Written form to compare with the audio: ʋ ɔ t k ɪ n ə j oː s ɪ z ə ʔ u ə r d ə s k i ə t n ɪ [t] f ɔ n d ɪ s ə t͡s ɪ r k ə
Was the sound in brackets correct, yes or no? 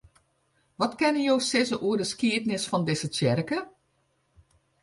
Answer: no